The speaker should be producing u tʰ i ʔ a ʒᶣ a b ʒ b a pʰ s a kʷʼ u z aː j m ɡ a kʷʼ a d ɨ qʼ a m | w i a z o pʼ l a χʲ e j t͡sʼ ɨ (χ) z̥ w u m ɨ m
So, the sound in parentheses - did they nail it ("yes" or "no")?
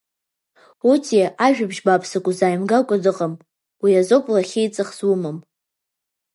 yes